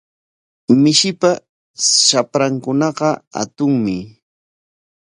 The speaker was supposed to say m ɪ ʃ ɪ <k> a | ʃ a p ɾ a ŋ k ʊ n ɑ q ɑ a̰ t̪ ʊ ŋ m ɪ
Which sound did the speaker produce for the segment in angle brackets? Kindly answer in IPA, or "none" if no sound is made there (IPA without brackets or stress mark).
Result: p